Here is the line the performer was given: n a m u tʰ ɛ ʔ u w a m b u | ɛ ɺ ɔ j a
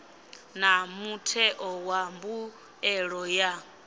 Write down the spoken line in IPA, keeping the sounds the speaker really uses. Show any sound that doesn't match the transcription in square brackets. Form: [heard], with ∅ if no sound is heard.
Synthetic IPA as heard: n a m u tʰ ɛ ʔ [ɔ] w a m b u | ɛ ɺ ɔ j a